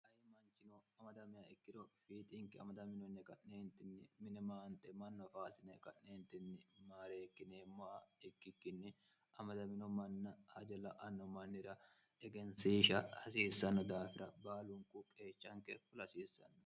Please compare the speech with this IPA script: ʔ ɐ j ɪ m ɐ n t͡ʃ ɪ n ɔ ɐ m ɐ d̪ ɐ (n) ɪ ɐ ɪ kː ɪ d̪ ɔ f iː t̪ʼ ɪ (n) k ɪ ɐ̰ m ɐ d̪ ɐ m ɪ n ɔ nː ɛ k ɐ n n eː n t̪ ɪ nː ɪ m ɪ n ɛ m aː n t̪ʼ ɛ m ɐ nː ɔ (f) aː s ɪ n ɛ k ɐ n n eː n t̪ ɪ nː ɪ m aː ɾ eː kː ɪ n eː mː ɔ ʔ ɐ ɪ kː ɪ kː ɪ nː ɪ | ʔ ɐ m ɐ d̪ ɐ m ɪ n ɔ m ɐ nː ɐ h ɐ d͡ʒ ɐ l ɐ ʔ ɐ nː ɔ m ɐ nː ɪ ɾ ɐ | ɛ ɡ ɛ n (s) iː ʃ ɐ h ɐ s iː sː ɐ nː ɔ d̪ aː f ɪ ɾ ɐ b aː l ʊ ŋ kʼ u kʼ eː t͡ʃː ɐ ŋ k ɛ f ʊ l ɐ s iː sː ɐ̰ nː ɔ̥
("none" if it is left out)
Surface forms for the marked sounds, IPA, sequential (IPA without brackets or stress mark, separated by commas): m, ŋ, f, s